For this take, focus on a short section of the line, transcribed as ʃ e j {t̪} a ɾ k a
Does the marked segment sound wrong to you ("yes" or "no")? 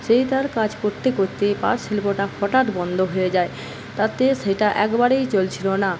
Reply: no